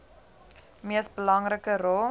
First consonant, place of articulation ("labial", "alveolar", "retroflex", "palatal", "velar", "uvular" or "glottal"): labial